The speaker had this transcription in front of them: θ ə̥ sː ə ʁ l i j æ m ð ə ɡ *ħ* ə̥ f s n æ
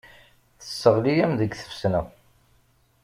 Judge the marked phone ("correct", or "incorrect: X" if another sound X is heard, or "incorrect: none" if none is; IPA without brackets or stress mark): incorrect: θ